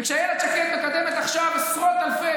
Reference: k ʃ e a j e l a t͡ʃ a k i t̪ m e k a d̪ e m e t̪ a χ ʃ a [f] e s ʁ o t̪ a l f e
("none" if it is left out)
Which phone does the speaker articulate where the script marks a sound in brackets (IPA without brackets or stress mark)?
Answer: v